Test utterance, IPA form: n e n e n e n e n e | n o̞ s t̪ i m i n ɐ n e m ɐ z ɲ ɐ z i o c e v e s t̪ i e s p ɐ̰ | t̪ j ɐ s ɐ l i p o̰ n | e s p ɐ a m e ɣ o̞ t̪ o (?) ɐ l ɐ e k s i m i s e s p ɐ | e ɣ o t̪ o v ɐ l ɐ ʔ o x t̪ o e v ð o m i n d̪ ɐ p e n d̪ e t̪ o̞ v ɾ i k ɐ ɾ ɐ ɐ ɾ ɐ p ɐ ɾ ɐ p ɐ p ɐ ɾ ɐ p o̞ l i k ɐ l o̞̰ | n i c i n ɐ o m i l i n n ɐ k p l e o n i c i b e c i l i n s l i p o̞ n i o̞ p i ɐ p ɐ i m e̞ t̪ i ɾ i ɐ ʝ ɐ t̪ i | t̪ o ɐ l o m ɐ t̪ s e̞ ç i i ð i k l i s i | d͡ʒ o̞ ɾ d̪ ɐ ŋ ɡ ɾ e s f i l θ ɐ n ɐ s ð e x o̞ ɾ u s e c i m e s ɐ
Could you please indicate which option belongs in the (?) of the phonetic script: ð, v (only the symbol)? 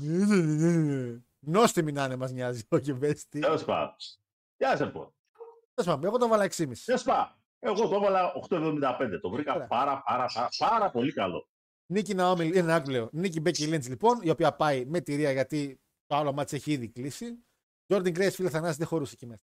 v